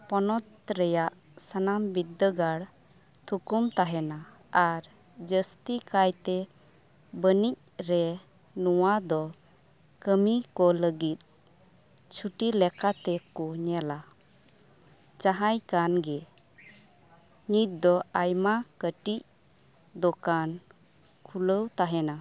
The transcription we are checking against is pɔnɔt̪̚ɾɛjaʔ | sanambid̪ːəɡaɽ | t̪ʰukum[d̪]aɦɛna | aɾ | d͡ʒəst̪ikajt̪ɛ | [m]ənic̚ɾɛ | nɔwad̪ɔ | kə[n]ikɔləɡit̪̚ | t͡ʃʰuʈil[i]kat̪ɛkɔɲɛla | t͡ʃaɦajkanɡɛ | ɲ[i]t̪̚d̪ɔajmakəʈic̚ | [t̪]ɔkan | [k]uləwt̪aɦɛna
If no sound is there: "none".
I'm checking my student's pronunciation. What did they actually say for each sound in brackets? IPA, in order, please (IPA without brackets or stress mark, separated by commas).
t̪, b, m, ɛ, i, d̪, kʰ